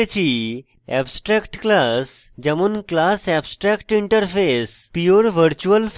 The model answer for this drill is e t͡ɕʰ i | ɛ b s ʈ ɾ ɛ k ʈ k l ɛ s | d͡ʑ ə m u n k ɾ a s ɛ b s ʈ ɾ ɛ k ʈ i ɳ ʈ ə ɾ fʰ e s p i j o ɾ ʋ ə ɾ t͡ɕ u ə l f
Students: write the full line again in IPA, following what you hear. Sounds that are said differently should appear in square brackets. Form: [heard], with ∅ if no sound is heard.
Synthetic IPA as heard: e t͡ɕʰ i | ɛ b s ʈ ɾ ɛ k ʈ k l [a] s | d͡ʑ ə m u n k [l] a s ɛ b s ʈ ɾ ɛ k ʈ i ɳ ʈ ə ɾ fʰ e s p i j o ɾ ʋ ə ɾ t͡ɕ u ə l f